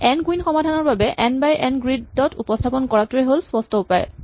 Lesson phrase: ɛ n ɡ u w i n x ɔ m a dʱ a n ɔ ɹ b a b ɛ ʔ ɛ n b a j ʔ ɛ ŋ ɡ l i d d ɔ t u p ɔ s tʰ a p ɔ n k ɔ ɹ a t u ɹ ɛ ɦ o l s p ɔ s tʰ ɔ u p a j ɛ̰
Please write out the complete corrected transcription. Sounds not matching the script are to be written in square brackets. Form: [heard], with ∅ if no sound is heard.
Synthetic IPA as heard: ɛ n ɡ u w i n x ɔ m a dʱ a n ɔ ɹ b a b ɛ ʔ ɛ n b a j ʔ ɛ [n] ɡ [ɹ] i d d ɔ t u p ɔ s tʰ a p ɔ n k ɔ ɹ a t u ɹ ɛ ɦ o l s p ɔ s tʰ ɔ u p a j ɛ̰